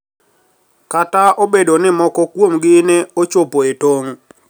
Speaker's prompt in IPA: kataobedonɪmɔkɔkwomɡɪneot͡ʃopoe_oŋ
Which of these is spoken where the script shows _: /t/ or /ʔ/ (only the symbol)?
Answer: t